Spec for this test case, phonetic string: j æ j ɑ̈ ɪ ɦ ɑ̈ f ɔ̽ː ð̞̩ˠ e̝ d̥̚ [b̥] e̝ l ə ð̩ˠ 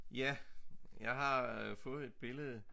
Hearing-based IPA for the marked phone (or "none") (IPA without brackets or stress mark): b̥